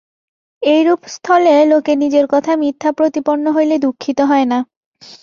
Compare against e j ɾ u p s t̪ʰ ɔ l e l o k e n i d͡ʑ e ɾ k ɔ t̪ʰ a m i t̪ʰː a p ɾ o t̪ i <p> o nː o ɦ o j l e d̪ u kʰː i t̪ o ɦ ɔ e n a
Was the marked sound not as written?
no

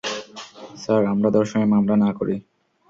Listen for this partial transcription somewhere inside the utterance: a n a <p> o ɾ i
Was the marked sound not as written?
yes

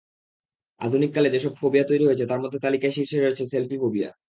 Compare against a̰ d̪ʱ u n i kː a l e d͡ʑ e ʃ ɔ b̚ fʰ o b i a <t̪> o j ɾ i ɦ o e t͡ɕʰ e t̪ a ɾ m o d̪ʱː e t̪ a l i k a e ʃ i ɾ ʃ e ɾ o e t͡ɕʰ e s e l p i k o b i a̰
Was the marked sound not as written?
no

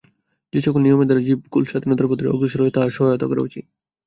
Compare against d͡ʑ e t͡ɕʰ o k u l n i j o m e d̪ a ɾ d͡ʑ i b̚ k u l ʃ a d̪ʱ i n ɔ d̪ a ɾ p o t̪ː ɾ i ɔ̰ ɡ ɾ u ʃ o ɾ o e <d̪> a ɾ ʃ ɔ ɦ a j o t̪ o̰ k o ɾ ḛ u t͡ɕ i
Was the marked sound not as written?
yes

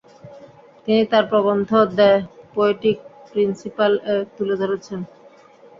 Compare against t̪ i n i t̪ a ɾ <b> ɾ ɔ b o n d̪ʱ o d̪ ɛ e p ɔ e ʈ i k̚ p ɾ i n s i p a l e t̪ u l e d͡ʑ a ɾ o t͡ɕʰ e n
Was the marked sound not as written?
yes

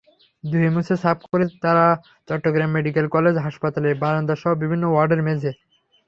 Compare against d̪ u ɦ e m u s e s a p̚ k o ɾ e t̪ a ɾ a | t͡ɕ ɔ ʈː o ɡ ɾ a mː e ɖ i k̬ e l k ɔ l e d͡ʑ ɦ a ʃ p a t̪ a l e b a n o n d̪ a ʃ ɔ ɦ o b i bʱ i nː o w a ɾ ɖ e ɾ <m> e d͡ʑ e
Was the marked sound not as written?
no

